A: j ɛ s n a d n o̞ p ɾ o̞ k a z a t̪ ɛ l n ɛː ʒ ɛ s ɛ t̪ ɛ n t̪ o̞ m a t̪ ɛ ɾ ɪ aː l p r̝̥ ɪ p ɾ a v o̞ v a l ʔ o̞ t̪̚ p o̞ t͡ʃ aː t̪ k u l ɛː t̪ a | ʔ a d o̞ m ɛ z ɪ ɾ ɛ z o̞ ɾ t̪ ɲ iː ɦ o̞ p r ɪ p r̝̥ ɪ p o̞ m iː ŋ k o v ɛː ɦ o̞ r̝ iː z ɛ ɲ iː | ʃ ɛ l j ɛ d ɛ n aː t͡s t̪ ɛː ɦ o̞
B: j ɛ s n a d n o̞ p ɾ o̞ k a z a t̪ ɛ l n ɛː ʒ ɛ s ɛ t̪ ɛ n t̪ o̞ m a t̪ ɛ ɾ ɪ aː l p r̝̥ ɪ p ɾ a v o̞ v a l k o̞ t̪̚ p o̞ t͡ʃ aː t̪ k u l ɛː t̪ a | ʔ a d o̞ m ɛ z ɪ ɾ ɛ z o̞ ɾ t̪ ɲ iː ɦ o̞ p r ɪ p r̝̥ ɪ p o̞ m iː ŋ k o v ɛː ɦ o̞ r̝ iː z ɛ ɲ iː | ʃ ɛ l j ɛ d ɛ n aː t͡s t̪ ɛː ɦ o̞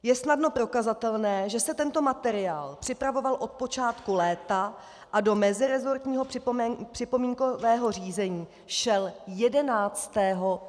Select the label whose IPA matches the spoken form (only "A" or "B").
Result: A